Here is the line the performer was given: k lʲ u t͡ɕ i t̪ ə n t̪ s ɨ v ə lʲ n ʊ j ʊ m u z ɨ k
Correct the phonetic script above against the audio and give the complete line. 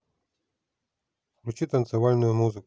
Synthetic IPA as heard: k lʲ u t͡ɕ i t̪ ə n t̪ s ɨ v a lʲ n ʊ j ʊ m u z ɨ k